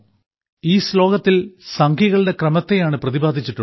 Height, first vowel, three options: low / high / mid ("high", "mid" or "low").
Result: high